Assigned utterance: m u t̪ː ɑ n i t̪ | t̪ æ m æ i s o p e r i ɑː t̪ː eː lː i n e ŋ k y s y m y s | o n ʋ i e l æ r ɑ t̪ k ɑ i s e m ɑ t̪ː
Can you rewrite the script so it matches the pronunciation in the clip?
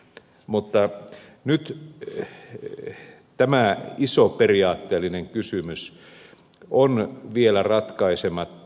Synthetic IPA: m u t̪ː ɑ n y t̪ | t̪ æ m æ i s o p e r i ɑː t̪ː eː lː i n e ŋ k y s y m y s | o n ʋ i e l æ r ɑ t̪ k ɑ i s e m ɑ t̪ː